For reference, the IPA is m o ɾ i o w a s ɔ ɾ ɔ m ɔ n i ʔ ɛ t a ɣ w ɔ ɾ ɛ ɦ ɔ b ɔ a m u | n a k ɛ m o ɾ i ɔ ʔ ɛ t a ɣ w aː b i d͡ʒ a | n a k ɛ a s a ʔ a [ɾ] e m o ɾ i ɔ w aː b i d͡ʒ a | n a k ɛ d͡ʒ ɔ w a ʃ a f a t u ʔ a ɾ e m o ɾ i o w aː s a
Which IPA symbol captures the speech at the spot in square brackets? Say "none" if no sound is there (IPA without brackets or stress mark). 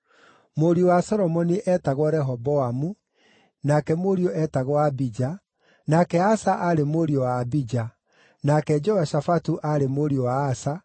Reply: ɾ